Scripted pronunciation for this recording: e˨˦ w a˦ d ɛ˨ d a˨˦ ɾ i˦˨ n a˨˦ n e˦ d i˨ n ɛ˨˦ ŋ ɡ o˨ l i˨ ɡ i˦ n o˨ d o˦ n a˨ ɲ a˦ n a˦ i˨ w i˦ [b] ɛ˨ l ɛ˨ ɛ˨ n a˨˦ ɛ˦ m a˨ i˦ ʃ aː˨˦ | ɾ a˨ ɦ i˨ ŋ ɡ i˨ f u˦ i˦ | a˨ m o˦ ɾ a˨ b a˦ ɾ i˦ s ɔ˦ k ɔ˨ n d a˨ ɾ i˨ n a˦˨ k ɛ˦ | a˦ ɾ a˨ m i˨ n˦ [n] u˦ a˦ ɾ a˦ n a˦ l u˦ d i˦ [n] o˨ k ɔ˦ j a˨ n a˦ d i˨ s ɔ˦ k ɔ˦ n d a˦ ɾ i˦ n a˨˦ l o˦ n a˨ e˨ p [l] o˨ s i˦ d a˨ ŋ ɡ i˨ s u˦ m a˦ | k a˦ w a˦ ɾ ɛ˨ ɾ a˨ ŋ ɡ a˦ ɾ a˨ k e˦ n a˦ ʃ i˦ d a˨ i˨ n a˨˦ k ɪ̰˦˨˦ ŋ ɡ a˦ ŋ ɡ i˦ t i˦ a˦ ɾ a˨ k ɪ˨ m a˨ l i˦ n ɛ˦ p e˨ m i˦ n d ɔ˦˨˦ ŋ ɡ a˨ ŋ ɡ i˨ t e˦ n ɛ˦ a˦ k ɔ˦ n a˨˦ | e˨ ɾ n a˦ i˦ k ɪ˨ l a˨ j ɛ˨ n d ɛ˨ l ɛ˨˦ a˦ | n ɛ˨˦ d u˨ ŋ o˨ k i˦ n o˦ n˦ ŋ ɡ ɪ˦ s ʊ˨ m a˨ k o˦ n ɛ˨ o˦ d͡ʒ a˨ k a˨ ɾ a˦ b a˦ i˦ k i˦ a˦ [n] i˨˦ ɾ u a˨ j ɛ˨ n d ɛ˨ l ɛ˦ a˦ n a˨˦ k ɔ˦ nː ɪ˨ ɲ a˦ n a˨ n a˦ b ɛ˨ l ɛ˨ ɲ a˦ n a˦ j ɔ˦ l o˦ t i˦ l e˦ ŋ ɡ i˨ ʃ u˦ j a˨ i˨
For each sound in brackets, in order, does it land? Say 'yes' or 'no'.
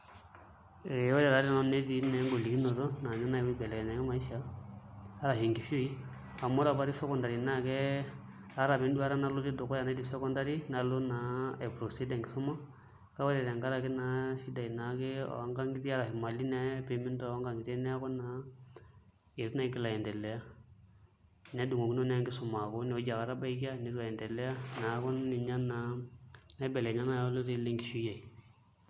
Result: yes, no, no, no, yes

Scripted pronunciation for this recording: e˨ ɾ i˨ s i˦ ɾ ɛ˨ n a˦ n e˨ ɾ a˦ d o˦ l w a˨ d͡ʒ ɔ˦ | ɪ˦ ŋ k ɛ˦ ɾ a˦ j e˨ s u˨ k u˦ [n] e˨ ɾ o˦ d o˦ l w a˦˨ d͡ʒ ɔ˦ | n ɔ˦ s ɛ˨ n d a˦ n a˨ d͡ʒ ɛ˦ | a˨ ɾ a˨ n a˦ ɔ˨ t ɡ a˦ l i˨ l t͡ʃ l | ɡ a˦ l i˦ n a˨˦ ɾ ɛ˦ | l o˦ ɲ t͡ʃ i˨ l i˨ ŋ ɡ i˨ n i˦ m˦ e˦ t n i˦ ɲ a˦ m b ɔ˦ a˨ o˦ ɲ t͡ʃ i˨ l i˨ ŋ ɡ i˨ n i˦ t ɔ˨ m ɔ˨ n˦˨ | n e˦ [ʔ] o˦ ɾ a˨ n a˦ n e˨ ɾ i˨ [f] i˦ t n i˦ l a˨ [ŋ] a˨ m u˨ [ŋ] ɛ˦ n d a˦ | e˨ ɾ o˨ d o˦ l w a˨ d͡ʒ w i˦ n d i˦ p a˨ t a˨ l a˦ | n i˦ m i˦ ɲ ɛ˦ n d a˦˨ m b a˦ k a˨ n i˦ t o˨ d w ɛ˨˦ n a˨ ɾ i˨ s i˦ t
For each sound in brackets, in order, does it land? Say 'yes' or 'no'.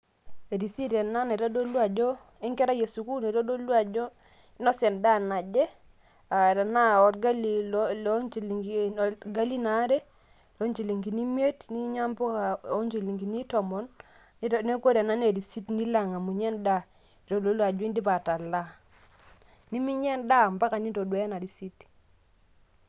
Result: yes, no, no, yes, no

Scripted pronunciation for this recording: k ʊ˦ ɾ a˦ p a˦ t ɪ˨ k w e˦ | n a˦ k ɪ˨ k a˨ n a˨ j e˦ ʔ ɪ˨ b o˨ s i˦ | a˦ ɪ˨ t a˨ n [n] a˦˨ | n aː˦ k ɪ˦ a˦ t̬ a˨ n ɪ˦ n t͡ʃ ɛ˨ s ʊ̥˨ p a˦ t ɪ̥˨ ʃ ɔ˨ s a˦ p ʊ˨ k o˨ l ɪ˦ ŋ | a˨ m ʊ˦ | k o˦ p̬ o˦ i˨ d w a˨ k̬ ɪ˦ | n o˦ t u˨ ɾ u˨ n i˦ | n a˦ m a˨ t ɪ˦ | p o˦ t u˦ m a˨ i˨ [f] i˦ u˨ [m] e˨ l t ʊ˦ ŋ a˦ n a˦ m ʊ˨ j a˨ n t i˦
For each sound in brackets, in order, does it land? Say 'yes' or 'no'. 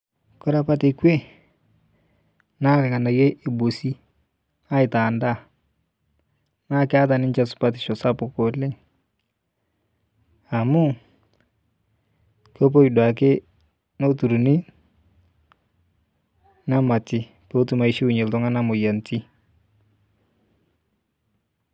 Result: no, no, no

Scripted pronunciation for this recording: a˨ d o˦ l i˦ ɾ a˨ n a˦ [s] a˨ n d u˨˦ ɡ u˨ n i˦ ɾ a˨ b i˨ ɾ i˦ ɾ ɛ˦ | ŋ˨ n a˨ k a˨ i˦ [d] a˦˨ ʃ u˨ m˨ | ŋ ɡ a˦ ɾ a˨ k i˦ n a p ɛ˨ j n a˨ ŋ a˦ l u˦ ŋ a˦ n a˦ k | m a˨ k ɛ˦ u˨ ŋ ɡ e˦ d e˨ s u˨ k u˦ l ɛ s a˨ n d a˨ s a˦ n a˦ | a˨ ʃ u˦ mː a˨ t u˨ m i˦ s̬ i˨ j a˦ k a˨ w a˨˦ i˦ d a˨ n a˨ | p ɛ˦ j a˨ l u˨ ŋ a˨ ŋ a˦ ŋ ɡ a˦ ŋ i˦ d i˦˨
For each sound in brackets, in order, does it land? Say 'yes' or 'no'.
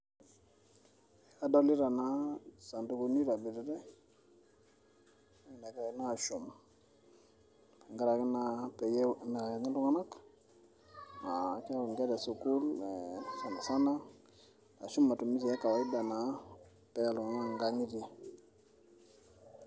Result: yes, no

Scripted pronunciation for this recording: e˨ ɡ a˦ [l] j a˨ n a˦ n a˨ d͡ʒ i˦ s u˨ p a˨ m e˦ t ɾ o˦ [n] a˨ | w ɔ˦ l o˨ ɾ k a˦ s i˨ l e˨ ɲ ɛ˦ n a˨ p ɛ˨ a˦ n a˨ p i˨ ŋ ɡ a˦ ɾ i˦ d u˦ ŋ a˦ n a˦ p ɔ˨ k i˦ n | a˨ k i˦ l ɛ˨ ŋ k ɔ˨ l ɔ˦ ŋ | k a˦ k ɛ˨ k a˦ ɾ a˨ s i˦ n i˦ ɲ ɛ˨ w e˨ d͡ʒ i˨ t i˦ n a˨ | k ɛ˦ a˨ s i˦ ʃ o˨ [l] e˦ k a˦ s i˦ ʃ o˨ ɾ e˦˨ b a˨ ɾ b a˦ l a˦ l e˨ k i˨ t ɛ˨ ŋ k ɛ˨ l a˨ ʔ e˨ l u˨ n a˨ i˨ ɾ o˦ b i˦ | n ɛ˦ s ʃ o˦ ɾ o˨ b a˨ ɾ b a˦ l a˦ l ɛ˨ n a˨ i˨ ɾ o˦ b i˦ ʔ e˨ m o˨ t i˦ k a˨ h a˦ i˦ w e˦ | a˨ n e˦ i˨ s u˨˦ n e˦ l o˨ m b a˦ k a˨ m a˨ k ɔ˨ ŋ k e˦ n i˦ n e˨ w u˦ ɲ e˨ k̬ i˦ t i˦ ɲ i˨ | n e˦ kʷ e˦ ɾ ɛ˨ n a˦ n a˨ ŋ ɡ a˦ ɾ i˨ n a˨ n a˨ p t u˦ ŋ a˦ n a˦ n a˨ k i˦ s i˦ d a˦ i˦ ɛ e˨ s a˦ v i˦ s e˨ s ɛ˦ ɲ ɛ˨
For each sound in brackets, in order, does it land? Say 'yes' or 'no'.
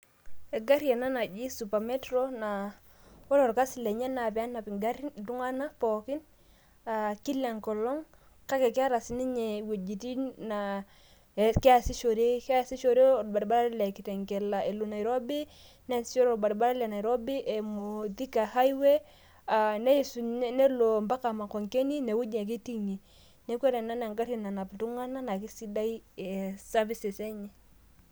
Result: no, yes, no

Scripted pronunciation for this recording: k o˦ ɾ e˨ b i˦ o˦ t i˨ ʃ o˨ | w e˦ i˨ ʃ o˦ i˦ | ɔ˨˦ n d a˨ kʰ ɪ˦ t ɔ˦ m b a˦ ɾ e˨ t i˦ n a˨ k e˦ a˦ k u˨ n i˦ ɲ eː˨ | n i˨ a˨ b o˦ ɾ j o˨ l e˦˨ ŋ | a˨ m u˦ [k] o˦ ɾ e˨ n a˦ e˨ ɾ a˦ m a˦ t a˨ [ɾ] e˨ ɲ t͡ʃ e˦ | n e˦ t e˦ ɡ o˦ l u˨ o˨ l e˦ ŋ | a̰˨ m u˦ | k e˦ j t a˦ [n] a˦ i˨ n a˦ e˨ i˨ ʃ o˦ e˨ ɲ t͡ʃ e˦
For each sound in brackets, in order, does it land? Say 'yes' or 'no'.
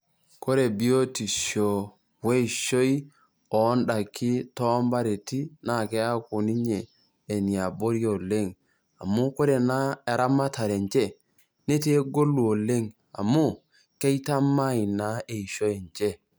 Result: yes, yes, no

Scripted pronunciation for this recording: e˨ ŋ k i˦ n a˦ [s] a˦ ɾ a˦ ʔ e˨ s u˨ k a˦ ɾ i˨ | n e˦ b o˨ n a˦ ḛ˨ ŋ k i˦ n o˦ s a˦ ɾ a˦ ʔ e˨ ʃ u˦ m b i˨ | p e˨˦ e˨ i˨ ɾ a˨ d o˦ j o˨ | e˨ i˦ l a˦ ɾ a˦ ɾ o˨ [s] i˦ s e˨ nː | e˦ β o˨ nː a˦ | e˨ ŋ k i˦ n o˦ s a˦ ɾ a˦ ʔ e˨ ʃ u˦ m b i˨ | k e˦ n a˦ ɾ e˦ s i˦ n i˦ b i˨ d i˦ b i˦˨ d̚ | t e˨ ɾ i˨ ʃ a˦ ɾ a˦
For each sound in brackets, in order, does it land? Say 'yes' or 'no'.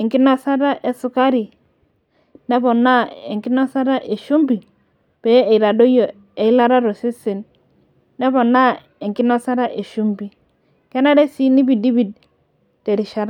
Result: yes, yes

